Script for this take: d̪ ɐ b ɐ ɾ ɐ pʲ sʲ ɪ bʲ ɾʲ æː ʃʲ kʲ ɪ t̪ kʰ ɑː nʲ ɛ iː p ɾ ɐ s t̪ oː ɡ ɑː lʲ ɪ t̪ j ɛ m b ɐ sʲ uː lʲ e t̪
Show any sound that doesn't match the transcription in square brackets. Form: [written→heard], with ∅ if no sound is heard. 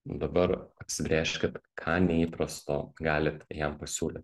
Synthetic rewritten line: d̪ ɐ b ɐ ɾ ɐ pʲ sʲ ɪ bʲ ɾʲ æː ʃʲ kʲ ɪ t̪ kʰ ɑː nʲ ɛ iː p ɾ ɐ s t̪ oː ɡ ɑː lʲ ɪ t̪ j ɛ m [b→p] ɐ sʲ uː lʲ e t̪